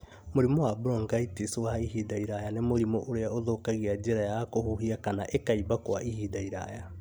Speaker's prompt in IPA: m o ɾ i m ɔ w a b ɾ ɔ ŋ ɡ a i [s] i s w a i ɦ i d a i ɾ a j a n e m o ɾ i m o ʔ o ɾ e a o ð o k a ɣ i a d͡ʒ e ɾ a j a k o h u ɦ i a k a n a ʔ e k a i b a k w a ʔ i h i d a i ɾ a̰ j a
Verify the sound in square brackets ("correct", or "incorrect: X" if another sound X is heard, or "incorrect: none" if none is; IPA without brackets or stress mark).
incorrect: t